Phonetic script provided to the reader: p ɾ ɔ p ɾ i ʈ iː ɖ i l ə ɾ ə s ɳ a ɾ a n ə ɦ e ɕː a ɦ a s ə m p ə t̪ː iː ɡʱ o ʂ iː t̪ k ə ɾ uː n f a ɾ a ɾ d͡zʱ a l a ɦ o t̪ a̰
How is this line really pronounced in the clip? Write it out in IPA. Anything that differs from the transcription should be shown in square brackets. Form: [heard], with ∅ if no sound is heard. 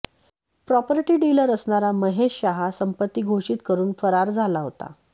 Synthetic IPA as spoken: p ɾ ɔ p ɾ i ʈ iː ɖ i l ə ɾ ə s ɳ a ɾ a [m] ə ɦ e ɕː a ɦ a s ə m p ə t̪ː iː ɡʱ o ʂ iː t̪ k ə ɾ uː n f [ə] ɾ a ɾ d͡zʱ a l a ɦ o t̪ a̰